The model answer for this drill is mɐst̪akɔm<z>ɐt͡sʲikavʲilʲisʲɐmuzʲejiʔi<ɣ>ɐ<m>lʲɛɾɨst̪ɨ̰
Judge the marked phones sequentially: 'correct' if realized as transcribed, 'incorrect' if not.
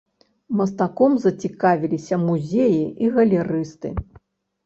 correct, correct, incorrect: none

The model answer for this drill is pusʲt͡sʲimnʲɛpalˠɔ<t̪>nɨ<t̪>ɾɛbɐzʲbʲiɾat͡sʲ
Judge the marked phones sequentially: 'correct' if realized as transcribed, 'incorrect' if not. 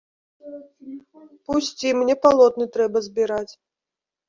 correct, correct

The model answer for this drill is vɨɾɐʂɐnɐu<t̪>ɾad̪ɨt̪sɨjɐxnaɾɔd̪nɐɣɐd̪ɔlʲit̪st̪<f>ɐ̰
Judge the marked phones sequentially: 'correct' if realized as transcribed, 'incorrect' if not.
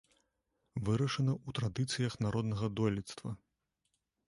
correct, incorrect: v

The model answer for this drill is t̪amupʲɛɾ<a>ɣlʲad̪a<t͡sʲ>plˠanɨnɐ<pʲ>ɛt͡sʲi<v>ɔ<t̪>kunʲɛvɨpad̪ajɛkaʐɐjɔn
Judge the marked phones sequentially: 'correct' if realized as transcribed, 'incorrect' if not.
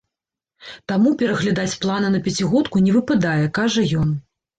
incorrect: ɐ, correct, correct, incorrect: ɣ, correct

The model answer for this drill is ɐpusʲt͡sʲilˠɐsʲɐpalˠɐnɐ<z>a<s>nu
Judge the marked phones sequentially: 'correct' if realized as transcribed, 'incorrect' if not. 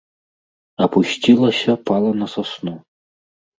incorrect: s, correct

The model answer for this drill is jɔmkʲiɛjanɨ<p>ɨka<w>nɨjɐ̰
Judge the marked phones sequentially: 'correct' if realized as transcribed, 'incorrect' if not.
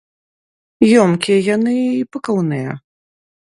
correct, correct

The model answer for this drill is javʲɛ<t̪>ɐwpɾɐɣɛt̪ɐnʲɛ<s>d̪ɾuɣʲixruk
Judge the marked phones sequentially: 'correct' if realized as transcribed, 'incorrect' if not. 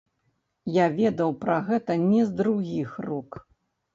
incorrect: d̪, incorrect: z

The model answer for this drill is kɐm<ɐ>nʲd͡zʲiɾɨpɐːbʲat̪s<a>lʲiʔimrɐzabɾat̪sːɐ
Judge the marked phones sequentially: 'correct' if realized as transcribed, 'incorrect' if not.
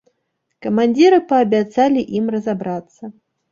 incorrect: a, correct

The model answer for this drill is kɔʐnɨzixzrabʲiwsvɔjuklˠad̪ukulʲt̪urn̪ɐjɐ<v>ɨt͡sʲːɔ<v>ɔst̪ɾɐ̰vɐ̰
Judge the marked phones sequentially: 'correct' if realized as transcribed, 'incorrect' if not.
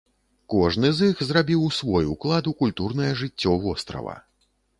incorrect: ʐ, correct

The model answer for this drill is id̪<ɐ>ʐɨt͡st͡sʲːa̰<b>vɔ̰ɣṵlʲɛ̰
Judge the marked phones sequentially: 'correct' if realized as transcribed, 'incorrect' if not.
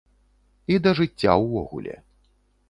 correct, incorrect: w

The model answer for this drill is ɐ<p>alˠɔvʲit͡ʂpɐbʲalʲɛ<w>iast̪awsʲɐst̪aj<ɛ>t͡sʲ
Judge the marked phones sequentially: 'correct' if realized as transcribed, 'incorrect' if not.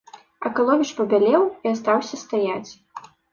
incorrect: k, correct, incorrect: a

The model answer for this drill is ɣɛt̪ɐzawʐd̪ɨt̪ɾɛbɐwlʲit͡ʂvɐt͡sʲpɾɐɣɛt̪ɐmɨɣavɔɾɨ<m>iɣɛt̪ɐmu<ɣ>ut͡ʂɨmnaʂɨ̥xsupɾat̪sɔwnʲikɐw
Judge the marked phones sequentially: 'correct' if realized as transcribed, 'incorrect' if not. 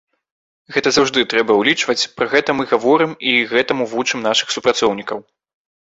correct, incorrect: v

